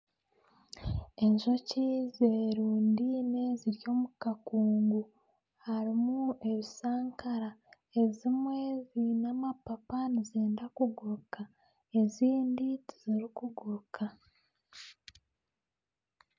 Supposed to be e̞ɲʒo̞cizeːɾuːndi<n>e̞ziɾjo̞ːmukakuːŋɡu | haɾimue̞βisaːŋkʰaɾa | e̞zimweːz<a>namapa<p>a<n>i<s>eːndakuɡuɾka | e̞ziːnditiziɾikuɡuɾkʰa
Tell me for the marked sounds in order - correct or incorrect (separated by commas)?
correct, incorrect, correct, correct, incorrect